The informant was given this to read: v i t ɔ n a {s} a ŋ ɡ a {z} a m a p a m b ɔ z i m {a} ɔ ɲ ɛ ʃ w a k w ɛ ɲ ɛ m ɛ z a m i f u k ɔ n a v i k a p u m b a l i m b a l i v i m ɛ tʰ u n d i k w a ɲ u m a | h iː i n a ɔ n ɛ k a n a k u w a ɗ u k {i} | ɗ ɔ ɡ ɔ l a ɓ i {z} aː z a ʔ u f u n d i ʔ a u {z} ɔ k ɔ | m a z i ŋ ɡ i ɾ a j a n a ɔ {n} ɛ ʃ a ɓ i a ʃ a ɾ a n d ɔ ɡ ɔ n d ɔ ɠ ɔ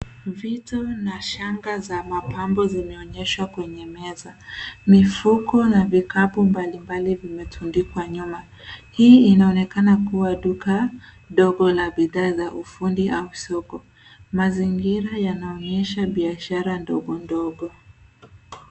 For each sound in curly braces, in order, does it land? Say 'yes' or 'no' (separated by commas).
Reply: no, yes, no, no, no, no, no